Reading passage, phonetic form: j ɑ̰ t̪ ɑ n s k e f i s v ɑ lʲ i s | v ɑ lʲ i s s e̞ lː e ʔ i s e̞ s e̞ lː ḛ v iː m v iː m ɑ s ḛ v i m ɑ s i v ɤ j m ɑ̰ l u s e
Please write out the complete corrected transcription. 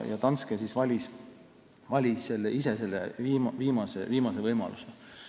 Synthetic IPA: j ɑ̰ t̪ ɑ n s k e s i s v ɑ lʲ i s | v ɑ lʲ i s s e̞ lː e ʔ i s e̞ s e̞ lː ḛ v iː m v iː m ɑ s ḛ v iː m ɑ s e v ɤ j m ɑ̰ l u s e